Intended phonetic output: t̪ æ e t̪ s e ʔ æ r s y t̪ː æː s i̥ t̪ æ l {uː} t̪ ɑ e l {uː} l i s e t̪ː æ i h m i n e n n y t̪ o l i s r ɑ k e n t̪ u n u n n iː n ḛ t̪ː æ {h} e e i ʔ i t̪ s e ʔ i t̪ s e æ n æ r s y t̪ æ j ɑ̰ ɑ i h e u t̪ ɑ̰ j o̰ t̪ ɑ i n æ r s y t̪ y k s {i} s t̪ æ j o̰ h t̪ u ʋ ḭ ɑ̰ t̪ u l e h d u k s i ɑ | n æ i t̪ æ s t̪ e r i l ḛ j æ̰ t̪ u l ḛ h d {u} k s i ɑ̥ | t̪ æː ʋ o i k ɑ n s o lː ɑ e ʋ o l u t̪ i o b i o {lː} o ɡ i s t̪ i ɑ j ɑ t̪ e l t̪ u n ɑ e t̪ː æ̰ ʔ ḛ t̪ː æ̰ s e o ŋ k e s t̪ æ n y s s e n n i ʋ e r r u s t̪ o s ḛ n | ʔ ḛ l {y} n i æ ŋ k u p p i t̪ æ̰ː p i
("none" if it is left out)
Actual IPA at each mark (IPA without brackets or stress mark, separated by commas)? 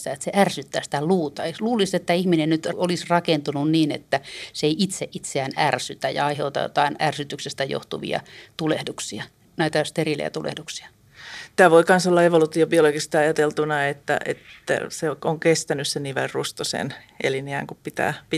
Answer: uː, uː, s, e, u, l, i